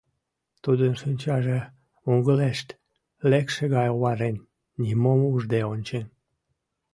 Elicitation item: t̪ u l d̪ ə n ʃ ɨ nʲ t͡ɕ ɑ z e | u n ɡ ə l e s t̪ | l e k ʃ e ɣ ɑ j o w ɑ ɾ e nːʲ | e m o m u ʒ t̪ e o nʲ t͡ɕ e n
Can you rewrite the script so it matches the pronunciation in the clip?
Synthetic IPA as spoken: t̪ u d̪ ə n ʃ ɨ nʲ t͡ɕ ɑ ʒ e | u ŋ ɡ ə l e ʃ t̪ | l e k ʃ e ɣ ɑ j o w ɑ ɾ e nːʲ | i m o m u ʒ d̪ e o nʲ t͡ɕ e n